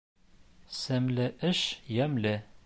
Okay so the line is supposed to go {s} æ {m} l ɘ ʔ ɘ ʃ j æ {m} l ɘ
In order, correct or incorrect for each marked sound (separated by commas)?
correct, correct, correct